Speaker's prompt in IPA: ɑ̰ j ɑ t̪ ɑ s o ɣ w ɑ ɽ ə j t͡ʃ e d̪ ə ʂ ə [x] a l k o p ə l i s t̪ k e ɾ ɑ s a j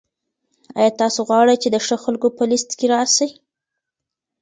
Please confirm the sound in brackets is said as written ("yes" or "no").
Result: yes